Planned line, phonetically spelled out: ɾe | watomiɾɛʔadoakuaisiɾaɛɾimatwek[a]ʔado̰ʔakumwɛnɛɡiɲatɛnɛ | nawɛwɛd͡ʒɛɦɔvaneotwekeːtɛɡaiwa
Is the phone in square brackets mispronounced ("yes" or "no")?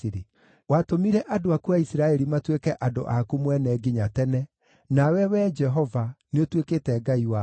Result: yes